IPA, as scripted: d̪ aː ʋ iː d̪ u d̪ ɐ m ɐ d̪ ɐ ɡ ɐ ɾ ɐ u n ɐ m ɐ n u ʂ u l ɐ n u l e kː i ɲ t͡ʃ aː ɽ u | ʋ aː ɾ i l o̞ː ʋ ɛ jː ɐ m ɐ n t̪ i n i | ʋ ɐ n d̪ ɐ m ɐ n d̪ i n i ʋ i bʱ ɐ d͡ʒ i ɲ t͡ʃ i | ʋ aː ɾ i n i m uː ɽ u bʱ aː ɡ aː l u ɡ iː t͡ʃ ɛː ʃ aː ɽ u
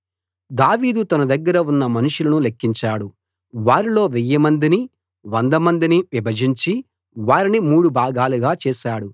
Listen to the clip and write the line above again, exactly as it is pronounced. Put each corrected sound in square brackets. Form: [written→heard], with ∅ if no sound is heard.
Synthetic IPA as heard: d̪ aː ʋ iː d̪ u [d̪→t̪] ɐ [m→n] ɐ d̪ ɐ [ɡ→ɡː] ɐ ɾ ɐ u [n→nː] ɐ m ɐ n u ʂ u l ɐ n u l e kː i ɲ t͡ʃ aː ɽ u | ʋ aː ɾ i l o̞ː ʋ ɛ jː ɐ m ɐ n [t̪→d̪] i n i | ʋ ɐ n d̪ ɐ m ɐ n d̪ i n i ʋ i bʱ ɐ d͡ʒ i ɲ t͡ʃ i | ʋ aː ɾ i n i m uː ɽ u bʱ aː ɡ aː l u ɡ [iː→aː] t͡ʃ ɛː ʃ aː ɽ u

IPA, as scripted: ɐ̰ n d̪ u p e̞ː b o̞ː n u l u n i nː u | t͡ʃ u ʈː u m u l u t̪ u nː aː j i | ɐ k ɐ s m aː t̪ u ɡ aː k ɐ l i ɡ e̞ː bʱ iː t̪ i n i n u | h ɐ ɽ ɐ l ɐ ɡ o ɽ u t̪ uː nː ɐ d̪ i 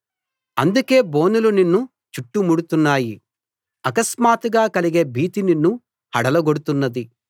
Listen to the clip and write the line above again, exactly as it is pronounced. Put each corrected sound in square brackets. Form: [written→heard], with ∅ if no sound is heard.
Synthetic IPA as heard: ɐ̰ n d̪ u [p→k] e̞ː b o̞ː n u l u n i nː u | t͡ʃ u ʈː u m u [l→ɽ] u t̪ u nː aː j i | ɐ k ɐ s m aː t̪ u ɡ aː k ɐ l i ɡ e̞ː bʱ iː t̪ i n i [n→nː] u | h ɐ ɽ ɐ l ɐ ɡ o ɽ u t̪ [uː→u] nː ɐ d̪ i

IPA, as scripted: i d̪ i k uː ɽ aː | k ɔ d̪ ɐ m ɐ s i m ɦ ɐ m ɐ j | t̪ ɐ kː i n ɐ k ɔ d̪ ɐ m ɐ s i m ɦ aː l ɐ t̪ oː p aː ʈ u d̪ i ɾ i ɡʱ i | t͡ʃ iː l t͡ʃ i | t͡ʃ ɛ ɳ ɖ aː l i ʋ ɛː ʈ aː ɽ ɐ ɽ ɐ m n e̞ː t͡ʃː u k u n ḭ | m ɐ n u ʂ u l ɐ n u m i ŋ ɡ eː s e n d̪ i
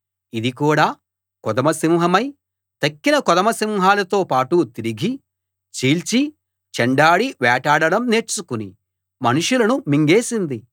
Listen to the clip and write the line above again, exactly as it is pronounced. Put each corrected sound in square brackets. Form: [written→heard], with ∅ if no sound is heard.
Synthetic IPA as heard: i d̪ i k uː ɽ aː | k ɔ d̪ ɐ m ɐ s i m ɦ ɐ m ɐ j | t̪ ɐ kː i n ɐ k ɔ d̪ ɐ m ɐ s i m ɦ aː l ɐ t̪ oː p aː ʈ u [d̪→t̪] i ɾ i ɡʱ i | t͡ʃ iː l t͡ʃ i | t͡ʃ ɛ ɳ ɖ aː [l→ɽ] i ʋ ɛː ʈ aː ɽ ɐ ɽ ɐ m n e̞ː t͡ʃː u k u n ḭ | m ɐ n u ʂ u l ɐ n u m i ŋ ɡ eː s [e→i] n d̪ i

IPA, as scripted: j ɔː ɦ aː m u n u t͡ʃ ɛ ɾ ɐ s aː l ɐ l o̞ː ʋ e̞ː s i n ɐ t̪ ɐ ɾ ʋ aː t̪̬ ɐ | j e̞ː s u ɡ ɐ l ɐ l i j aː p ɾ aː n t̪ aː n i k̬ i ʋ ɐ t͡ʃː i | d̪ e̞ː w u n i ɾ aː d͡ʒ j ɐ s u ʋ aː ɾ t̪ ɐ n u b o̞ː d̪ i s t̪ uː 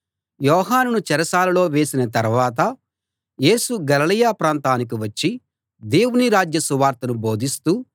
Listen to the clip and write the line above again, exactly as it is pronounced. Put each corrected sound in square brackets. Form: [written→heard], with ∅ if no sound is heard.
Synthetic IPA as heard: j ɔː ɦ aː [m→n] u n u t͡ʃ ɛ ɾ ɐ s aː l ɐ l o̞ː ʋ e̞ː s i n ɐ t̪ ɐ ɾ ʋ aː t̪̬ ɐ | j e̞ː s u ɡ ɐ l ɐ l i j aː p ɾ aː n t̪ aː n i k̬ i ʋ ɐ t͡ʃː i | d̪ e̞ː w u n i ɾ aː d͡ʒ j ɐ s u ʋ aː ɾ t̪ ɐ n u b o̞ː d̪ i s t̪ uː

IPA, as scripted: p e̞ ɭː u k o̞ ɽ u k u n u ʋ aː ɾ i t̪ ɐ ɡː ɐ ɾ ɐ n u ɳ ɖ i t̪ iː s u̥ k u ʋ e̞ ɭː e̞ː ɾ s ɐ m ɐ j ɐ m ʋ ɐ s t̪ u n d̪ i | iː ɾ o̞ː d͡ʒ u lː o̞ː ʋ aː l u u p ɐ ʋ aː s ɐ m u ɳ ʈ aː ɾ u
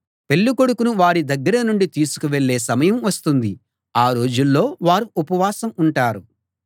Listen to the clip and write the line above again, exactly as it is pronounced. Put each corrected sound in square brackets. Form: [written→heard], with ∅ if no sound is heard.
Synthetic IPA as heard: p e̞ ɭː u k o̞ ɽ u k u n u ʋ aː ɾ i [t̪→d̪] ɐ ɡː ɐ ɾ ɐ n u ɳ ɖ i t̪ iː s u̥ k u ʋ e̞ ɭː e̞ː [ɾ→∅] s ɐ m ɐ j ɐ m ʋ ɐ s t̪ u n d̪ i | [iː→aː] ɾ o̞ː d͡ʒ u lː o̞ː ʋ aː [l→ɾ] u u p ɐ ʋ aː s ɐ m u ɳ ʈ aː ɾ u

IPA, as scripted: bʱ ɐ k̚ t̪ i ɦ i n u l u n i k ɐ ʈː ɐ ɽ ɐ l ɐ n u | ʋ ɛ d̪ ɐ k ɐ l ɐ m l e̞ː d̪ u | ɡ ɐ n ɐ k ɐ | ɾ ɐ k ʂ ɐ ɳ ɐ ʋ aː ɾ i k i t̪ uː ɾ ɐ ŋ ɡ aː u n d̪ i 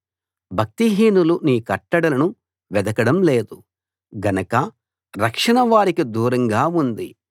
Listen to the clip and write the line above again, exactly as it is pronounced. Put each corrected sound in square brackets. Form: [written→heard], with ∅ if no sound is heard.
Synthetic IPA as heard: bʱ ɐ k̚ t̪ i ɦ [i→iː] n u l u n [i→iː] k ɐ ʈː ɐ ɽ ɐ l ɐ n u | ʋ ɛ d̪ ɐ k ɐ [l→ɽ] ɐ m l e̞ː d̪ u | ɡ ɐ n ɐ k ɐ | ɾ ɐ k ʂ ɐ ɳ ɐ ʋ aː ɾ i k i [t̪→d̪] uː ɾ ɐ ŋ ɡ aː u n d̪ i

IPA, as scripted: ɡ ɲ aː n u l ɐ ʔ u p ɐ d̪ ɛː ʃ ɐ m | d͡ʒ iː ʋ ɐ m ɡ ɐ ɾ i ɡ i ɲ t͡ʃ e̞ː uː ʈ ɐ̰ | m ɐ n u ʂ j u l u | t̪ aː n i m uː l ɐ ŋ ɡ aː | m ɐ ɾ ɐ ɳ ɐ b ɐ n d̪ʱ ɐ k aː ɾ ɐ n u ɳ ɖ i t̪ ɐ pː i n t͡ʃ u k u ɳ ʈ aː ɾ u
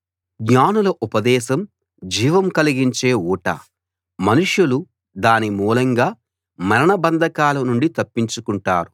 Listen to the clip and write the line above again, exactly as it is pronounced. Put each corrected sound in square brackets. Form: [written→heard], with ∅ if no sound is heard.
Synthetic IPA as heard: ɡ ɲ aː n u l ɐ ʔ u p ɐ d̪ ɛː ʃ ɐ m | d͡ʒ iː ʋ ɐ m [ɡ→k] ɐ [ɾ→l] i ɡ i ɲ t͡ʃ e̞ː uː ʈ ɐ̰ | m ɐ n u ʂ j u l u | [t̪→d̪] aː n i m uː l ɐ ŋ ɡ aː | m ɐ ɾ ɐ ɳ ɐ b ɐ n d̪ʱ ɐ k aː [ɾ→l] ɐ n u ɳ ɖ i t̪ ɐ pː i [n→ɲ] t͡ʃ u k u ɳ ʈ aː ɾ u

